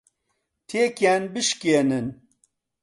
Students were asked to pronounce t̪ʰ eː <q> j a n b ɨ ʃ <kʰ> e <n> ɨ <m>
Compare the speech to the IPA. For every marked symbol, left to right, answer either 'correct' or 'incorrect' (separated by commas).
incorrect, incorrect, correct, incorrect